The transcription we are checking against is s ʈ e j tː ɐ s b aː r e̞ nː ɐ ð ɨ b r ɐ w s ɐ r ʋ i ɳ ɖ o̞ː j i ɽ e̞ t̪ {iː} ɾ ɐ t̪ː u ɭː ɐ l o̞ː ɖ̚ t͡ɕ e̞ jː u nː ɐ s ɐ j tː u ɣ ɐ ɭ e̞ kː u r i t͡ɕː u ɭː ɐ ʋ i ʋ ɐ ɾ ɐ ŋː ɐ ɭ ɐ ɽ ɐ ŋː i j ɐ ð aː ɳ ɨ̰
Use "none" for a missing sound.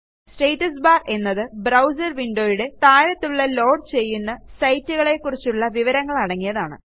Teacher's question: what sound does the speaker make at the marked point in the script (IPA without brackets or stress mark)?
aː